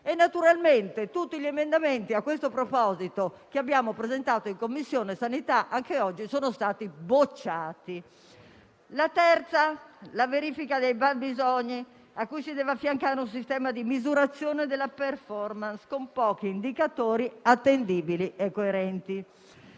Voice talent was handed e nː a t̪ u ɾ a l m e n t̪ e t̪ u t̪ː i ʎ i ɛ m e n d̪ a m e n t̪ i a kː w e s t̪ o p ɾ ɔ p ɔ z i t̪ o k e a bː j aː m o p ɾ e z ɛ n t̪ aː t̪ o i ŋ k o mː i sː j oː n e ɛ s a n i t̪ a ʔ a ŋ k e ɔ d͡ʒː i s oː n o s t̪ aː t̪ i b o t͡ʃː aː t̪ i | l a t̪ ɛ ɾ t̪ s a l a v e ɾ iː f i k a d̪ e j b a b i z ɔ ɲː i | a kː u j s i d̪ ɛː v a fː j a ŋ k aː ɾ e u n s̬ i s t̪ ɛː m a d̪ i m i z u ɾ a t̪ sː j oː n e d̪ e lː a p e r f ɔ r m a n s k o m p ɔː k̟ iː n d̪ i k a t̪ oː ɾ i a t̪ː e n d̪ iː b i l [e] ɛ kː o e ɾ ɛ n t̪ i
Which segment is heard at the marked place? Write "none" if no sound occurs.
i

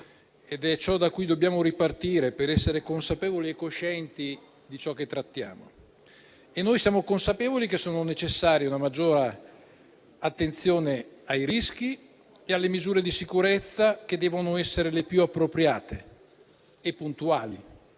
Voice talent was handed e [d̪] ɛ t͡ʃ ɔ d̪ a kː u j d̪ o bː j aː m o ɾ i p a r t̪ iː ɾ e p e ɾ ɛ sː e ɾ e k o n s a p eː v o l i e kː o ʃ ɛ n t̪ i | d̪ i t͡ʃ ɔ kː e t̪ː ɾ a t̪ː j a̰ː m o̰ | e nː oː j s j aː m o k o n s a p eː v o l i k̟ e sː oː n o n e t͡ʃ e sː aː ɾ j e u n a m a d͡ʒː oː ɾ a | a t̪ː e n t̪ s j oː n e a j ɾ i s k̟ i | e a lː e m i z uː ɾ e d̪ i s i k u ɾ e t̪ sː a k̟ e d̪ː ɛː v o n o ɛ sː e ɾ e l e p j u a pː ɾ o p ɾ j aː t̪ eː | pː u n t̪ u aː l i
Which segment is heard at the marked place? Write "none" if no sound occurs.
d̪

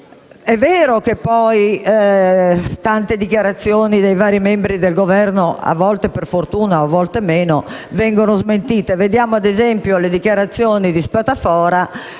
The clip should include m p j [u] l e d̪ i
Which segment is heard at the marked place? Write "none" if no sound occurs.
o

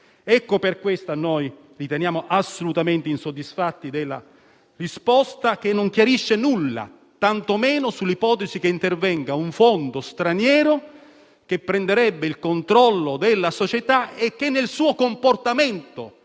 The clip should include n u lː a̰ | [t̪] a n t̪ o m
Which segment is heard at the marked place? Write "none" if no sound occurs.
t̪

